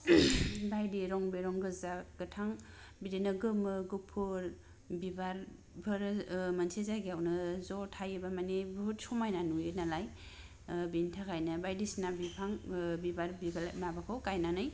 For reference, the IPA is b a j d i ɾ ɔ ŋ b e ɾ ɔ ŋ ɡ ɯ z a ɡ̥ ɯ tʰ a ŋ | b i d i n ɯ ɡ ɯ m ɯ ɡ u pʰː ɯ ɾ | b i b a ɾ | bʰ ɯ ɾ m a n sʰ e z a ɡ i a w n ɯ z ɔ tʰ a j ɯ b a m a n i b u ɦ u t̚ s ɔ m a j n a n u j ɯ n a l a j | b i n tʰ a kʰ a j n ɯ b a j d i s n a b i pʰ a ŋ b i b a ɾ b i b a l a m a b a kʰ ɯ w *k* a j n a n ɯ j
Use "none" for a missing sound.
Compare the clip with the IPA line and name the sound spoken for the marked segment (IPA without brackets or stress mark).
k